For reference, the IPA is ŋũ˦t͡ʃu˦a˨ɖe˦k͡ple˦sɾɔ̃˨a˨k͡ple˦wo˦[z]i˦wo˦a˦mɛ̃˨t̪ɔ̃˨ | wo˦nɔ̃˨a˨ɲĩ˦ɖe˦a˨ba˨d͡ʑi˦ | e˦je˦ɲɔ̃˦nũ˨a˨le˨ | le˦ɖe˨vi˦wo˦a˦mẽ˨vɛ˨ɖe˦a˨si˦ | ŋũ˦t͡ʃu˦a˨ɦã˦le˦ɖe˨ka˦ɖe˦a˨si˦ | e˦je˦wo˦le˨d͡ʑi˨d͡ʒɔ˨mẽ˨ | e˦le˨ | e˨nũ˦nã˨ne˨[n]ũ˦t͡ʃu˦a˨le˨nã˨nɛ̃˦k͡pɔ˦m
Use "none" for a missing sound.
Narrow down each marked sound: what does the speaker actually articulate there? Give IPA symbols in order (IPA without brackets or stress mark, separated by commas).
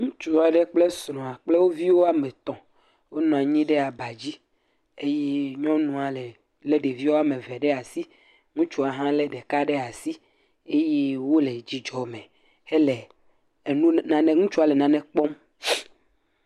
v, ŋ